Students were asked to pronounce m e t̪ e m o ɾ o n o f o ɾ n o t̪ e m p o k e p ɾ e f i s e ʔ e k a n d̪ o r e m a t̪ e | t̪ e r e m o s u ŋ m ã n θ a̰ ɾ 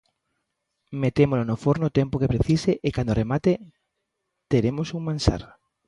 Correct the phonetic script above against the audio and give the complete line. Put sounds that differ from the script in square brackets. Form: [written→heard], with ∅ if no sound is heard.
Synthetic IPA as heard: m e t̪ e m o [ɾ→l] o n o f o ɾ n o t̪ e m p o k e p ɾ e [f→θ] i s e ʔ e k a n d̪ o r e m a t̪ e | t̪ e [r→ɾ] e m o s u ŋ m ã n [θ→s] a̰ ɾ